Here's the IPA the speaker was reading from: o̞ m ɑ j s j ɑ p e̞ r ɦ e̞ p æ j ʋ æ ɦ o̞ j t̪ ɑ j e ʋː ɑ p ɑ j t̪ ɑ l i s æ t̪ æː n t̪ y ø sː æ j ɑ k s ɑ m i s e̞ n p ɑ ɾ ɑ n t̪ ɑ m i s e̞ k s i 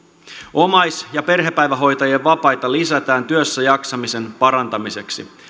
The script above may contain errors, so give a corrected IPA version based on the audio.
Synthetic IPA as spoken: o̞ m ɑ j s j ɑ p e̞ r ɦ e̞ p æ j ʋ æ ɦ o̞ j t̪ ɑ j e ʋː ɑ p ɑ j t̪ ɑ l i s æ t̪ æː n t̪ y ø sː æ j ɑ k s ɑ m i s e̞ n p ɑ ɾ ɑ n t̪ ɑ m i s e̞ k s i